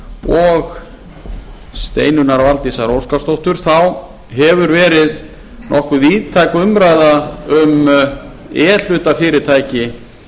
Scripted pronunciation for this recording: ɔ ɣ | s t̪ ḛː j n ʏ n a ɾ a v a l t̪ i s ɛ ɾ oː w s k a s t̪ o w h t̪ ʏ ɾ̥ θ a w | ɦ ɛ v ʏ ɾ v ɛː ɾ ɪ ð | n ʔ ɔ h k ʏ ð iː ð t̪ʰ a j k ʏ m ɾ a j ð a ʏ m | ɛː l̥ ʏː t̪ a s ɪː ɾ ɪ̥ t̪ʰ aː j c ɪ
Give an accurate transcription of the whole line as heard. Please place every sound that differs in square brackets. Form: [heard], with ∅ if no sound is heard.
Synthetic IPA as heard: ɔ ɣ | s t̪ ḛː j n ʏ n a ɾ a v a l t̪ i s [a] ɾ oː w s k a s t̪ o w h t̪ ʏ ɾ̥ θ a w | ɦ ɛ v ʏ ɾ v ɛː ɾ ɪ ð | n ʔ ɔ h k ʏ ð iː ð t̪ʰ a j k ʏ m ɾ a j ð a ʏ m | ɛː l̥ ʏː t̪ a [f] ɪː ɾ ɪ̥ t̪ʰ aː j c ɪ

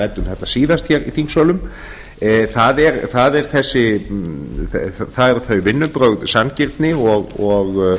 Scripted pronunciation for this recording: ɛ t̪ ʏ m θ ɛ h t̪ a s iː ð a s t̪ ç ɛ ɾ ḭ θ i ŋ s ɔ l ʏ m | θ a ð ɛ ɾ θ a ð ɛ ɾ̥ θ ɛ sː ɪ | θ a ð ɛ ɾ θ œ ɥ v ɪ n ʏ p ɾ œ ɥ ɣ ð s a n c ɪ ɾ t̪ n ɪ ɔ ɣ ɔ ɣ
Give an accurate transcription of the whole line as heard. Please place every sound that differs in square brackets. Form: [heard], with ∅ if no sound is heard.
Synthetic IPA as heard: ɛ t̪ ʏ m θ ɛ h t̪ a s iː ð a s t̪ ç ɛ ɾ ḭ θ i ŋ s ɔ l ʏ m | θ a ð ɛ ɾ θ a ð ɛ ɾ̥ θ ɛ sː ɪ | θ a ð ɛ ɾ θ œ ɥ v ɪ [nː] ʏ p ɾ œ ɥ ɣ ð s a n c ɪ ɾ t̪ n ɪ ɔ ɣ ɔ ɣ

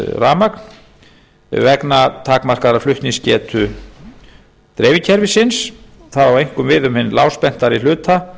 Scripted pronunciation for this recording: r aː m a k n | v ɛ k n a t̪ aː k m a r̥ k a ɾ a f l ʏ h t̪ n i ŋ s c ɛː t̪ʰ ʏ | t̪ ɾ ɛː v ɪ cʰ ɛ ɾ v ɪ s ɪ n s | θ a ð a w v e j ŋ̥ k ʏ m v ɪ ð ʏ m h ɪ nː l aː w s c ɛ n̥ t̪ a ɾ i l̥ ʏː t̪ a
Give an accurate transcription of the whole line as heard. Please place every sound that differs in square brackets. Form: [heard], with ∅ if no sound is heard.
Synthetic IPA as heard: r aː m a k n | v ɛ k n a [t̪ʰ] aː k m a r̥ k a ɾ a f l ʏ h t̪ n i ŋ s c ɛː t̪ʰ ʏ | t̪ ɾ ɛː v ɪ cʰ ɛ ɾ v ɪ s ɪ n s | θ a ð a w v e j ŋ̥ k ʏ m v ɪ ð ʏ m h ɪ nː l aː w s [p] ɛ n̥ t̪ a ɾ i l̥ ʏː t̪ a

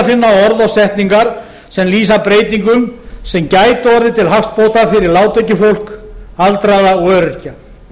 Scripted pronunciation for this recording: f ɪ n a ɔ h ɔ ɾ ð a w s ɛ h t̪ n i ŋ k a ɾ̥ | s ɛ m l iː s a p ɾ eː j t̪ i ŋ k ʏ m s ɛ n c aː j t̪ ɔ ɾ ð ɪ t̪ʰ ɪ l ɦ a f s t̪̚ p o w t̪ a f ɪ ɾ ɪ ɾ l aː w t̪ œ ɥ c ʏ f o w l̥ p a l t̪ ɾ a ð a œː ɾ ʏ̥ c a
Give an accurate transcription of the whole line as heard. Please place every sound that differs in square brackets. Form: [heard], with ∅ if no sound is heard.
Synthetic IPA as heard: f ɪ [nː] a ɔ [∅] ɔ ɾ ð a w s ɛ h t̪ n i ŋ k a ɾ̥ | s ɛ m l iː s a p ɾ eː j t̪ i ŋ k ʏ m s ɛ [m] c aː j t̪ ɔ ɾ ð ɪ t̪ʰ ɪ l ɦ a f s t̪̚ p o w t̪ a f ɪ ɾ ɪ ɾ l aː w t̪ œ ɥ c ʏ f o w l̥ [k] a l t̪ ɾ a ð a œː ɾ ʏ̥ c a

